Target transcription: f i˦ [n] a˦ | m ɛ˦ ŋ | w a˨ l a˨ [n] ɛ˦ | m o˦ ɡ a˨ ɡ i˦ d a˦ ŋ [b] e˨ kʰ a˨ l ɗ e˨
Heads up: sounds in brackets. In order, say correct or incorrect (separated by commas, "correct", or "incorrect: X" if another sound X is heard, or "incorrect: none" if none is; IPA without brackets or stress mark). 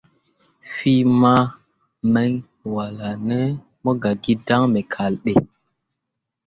incorrect: m, correct, incorrect: m